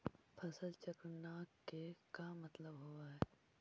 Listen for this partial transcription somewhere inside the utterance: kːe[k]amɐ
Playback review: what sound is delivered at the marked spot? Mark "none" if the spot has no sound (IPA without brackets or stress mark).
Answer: k